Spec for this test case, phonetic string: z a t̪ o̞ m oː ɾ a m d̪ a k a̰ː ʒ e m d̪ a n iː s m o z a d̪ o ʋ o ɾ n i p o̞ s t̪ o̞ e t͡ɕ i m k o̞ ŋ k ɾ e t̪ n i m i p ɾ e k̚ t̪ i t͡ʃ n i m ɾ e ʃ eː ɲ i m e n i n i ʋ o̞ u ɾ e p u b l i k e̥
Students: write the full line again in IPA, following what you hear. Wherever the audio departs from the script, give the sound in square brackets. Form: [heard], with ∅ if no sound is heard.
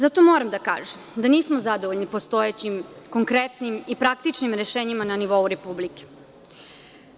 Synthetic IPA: z a t̪ o̞ m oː ɾ a m d̪ a k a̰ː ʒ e m d̪ a n iː s m o z a d̪ o ʋ o [ʎ] n i p o̞ s t̪ o̞ e t͡ɕ i m k o̞ ŋ k ɾ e t̪ n i m i p ɾ [a] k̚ t̪ i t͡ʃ n i m ɾ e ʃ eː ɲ i m [a] n [a] n i ʋ o̞ u ɾ e p u b l i k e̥